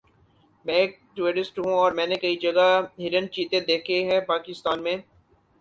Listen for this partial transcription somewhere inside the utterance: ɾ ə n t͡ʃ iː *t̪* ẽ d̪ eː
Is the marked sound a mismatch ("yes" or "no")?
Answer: no